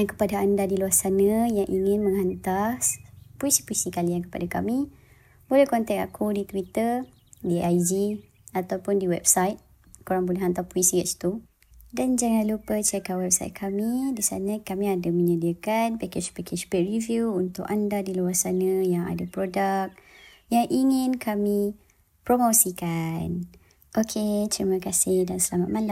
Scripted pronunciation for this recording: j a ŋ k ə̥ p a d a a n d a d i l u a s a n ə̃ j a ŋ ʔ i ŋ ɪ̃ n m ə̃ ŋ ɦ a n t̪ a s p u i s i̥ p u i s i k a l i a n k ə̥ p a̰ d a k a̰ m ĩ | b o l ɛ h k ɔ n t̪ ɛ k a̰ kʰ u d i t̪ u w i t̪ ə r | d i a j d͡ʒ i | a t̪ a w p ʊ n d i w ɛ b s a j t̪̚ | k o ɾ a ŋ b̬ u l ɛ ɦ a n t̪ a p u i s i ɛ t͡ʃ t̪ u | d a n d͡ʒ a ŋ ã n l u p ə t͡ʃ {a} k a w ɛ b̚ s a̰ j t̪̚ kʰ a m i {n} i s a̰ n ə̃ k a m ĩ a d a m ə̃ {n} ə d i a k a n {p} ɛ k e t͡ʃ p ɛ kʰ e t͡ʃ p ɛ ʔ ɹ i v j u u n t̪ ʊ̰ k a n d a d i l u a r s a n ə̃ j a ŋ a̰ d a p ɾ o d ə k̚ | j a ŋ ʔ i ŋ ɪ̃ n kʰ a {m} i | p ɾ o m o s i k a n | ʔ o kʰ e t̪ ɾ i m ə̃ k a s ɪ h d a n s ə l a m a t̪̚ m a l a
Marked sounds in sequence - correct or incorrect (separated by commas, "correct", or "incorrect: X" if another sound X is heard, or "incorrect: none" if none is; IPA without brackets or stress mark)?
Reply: incorrect: ɛ, incorrect: d, incorrect: ɲ, correct, correct